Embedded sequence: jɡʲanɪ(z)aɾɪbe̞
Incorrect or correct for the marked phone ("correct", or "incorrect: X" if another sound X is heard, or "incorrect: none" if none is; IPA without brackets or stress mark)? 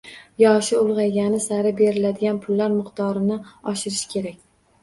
incorrect: s